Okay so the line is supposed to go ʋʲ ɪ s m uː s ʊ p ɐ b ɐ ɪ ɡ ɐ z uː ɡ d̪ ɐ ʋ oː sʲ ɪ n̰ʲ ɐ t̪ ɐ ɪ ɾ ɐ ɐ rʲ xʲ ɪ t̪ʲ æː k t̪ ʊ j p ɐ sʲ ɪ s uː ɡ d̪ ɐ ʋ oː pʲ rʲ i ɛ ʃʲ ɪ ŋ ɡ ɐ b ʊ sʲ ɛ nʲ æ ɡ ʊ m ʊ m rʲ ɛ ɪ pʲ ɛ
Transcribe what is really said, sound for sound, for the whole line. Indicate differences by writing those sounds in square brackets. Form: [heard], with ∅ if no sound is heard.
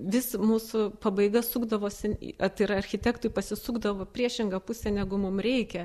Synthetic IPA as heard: ʋʲ ɪ s m uː s ʊ p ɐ b ɐ ɪ ɡ ɐ [s] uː ɡ d̪ ɐ ʋ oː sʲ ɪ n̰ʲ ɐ t̪ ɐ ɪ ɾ ɐ ɐ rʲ xʲ ɪ t̪ʲ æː k t̪ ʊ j p ɐ sʲ ɪ s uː ɡ d̪ ɐ ʋ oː pʲ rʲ i ɛ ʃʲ ɪ ŋ ɡ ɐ [p] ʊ sʲ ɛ nʲ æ ɡ ʊ m ʊ m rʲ ɛ ɪ [kʲ] ɛ